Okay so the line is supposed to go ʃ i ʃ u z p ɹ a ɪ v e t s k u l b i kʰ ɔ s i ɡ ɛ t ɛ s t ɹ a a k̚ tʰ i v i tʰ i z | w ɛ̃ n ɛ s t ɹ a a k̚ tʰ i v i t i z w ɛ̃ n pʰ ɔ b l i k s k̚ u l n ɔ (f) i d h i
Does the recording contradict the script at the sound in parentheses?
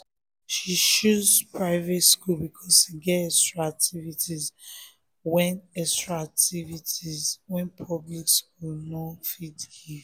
no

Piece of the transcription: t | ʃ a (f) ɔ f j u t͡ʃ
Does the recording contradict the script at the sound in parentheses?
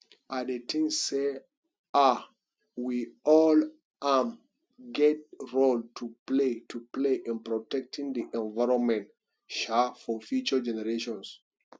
no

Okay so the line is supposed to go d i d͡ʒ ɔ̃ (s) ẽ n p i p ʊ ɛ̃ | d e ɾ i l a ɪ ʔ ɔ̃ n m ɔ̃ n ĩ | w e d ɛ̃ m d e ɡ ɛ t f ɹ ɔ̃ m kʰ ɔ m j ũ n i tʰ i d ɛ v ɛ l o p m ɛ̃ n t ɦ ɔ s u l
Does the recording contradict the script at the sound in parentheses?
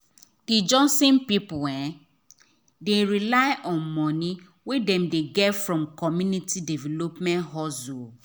no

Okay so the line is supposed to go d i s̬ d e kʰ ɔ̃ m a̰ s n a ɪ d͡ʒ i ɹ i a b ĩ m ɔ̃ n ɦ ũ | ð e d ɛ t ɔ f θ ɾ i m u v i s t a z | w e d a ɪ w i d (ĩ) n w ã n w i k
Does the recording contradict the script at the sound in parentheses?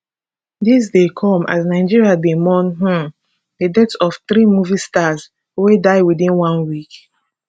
no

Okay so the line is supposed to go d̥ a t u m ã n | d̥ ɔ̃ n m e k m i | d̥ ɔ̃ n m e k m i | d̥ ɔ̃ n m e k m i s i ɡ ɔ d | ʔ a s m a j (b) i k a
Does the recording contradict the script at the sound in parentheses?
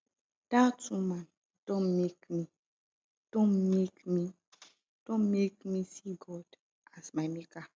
yes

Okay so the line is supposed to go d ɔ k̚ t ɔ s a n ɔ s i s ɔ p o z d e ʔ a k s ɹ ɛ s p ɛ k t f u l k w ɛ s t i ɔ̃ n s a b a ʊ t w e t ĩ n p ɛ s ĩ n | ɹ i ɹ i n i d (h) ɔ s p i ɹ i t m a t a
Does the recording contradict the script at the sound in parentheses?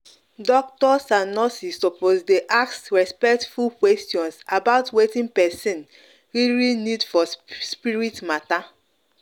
yes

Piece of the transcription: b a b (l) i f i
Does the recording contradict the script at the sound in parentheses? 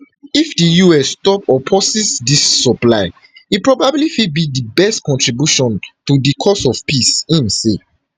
no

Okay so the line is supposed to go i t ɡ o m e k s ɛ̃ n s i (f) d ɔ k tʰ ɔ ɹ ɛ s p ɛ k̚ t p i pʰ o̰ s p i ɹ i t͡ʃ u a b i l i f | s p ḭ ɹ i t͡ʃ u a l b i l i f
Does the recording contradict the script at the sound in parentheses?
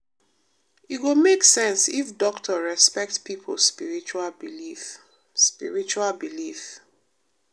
no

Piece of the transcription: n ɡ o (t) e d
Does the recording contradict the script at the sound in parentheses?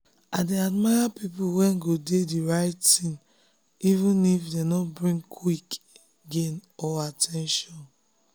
yes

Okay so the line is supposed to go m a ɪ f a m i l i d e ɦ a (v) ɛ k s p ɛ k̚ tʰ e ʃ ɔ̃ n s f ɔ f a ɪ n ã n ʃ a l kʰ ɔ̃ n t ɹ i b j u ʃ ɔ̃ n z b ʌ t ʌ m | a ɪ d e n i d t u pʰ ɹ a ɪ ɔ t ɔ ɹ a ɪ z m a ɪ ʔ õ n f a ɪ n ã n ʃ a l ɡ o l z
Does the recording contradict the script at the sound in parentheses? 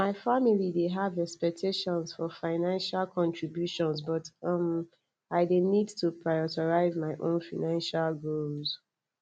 no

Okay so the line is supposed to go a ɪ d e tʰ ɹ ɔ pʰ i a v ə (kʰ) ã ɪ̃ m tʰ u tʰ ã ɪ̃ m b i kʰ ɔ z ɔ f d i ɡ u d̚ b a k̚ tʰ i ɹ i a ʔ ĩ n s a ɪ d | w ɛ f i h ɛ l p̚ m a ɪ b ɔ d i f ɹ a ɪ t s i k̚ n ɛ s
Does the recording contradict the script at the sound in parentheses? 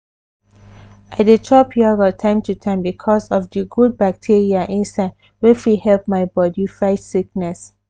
yes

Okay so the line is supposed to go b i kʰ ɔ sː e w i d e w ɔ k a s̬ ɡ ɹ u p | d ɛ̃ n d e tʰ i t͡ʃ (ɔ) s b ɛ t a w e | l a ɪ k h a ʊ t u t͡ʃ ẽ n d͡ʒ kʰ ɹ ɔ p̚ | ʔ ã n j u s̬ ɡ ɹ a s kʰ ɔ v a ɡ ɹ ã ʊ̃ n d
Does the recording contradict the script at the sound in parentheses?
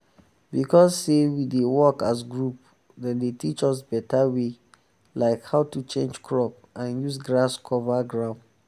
no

